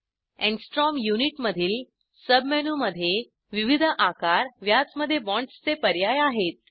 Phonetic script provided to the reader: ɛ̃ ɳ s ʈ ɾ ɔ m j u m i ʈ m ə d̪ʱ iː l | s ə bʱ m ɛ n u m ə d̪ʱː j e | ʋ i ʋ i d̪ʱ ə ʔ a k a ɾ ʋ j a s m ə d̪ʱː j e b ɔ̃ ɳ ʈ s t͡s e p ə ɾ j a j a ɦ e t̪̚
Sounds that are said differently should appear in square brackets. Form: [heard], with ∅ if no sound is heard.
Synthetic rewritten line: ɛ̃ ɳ s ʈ ɾ ɔ m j u [n] i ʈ m ə d̪ʱ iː l | s ə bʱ m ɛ n u m ə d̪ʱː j e | ʋ i ʋ i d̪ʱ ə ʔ a k a ɾ ʋ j a [t͡s] m ə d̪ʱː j e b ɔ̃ ɳ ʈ s t͡s e p ə ɾ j a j a ɦ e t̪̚